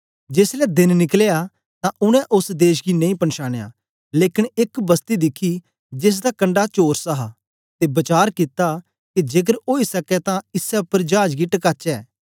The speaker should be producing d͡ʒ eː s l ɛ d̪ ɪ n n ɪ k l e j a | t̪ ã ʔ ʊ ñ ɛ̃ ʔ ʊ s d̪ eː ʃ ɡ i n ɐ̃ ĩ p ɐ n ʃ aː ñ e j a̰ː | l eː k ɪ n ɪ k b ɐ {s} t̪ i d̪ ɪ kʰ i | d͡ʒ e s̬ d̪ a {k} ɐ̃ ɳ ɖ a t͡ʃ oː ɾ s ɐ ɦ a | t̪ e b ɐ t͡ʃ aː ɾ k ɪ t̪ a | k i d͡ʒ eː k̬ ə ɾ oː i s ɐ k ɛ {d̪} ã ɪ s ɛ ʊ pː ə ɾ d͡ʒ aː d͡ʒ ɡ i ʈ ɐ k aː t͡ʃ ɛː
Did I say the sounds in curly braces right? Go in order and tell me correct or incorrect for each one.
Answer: correct, correct, incorrect: t̪

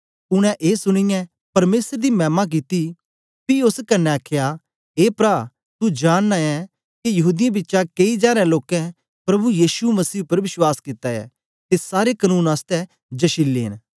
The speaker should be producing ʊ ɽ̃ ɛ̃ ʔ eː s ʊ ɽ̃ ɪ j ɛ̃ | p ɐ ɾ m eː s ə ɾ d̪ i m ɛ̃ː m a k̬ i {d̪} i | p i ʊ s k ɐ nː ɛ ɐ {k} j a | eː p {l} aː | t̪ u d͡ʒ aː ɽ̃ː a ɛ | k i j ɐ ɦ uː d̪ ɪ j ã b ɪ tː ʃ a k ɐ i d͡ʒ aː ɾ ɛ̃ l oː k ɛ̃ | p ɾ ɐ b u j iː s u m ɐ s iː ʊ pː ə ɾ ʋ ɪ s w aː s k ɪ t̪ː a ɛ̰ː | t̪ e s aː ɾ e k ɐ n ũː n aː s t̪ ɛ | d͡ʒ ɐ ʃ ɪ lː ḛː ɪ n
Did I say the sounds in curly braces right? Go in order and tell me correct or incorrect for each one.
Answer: incorrect: t̪, incorrect: kʰ, incorrect: ɾ

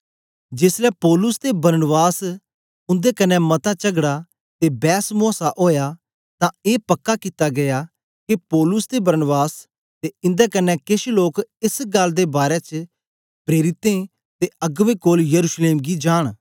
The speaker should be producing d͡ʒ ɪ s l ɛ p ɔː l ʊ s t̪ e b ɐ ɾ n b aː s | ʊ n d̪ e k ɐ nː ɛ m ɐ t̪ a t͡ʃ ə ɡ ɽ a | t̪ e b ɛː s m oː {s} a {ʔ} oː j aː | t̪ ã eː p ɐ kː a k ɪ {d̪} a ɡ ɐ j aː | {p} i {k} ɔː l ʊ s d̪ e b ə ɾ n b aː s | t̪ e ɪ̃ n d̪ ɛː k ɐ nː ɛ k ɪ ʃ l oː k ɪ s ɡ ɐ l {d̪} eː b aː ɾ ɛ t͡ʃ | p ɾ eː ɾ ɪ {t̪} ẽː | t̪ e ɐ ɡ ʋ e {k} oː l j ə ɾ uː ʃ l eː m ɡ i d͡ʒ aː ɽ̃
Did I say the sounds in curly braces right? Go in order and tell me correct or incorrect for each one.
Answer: correct, correct, incorrect: t̪, incorrect: k, incorrect: p, correct, correct, correct

